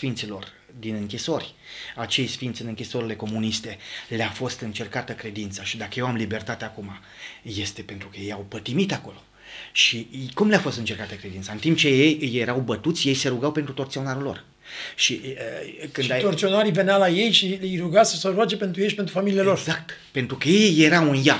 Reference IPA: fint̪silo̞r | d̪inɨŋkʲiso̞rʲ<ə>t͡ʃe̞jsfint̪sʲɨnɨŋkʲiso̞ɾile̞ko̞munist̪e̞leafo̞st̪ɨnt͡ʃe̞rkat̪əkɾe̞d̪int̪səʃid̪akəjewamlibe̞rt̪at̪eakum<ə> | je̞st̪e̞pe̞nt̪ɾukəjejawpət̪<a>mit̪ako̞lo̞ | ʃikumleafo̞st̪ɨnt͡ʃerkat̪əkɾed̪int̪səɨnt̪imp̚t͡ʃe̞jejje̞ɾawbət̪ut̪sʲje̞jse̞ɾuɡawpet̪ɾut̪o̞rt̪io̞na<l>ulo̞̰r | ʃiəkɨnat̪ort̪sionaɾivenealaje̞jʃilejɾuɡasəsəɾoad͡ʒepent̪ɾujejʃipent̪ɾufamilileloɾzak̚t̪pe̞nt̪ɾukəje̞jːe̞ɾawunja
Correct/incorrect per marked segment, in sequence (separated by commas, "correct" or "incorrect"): incorrect, incorrect, incorrect, incorrect